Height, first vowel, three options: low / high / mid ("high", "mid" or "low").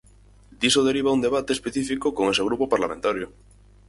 high